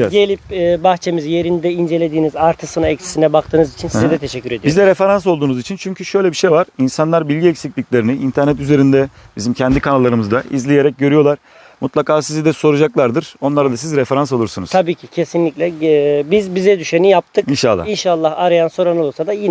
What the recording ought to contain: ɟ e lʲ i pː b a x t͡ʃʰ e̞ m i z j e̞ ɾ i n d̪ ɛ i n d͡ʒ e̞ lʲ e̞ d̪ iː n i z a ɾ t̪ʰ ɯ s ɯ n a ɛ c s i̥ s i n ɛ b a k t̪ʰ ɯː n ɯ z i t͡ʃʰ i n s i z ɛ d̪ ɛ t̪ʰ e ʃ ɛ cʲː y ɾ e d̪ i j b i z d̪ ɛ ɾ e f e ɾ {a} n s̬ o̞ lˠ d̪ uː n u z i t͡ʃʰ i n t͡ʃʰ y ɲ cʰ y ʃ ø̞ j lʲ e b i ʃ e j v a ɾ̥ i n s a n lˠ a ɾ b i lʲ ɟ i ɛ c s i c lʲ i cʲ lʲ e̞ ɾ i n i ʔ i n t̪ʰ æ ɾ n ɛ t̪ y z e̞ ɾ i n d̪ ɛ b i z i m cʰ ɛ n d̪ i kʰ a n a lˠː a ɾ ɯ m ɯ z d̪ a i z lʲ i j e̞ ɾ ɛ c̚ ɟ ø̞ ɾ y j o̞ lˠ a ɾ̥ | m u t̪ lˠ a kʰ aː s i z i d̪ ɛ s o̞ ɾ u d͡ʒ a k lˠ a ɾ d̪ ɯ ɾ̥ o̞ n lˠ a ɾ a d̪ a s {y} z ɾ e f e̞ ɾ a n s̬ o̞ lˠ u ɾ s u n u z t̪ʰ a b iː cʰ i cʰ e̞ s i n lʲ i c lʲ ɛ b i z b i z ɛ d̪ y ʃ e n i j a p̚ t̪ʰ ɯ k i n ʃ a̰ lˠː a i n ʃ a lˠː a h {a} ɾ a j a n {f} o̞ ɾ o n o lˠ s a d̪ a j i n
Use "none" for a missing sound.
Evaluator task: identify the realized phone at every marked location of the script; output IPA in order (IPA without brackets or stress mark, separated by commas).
a, i, a, s